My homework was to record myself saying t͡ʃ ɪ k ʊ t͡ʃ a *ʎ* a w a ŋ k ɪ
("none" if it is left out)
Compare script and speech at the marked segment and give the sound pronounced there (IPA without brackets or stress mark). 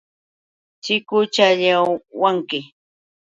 ʎ